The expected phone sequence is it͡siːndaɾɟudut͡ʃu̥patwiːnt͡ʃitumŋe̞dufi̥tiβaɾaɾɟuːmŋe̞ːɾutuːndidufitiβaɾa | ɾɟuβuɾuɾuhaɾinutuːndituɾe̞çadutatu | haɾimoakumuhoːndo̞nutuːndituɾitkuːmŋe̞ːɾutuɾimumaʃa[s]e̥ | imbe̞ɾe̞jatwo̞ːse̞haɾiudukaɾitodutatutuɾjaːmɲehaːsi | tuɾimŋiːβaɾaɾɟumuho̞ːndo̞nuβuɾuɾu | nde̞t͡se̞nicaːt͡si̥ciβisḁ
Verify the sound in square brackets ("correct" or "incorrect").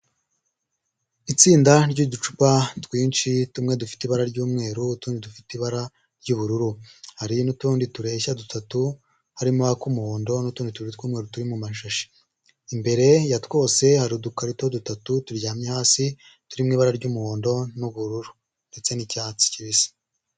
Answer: incorrect